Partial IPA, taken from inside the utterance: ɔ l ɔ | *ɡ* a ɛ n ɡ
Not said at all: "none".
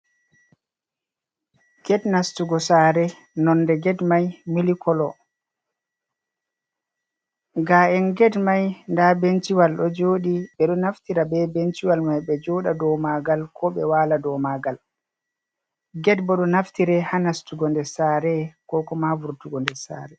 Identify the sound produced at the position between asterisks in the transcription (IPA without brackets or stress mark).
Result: ɡ